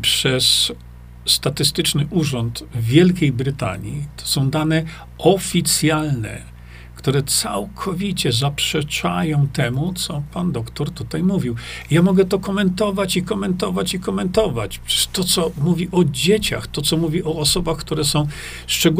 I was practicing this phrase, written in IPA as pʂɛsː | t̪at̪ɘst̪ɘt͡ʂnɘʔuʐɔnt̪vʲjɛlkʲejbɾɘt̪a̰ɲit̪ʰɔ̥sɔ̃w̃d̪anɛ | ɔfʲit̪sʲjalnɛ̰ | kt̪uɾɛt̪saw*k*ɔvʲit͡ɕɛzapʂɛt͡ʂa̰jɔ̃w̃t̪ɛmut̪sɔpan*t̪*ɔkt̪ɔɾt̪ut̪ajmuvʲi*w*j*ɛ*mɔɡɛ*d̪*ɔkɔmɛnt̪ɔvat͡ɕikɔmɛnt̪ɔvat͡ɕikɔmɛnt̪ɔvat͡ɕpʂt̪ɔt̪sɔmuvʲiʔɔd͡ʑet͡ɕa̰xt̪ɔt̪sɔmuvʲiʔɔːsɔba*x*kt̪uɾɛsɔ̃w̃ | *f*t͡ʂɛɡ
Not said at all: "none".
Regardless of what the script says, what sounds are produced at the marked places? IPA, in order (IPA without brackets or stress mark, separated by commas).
kʰ, d̪, w, a, t̪, x, ʂ